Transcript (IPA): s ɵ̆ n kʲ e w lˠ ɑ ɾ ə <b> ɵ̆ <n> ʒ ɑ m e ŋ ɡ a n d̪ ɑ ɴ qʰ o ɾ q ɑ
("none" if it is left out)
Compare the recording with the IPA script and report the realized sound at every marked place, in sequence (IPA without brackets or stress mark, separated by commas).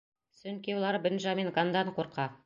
b, n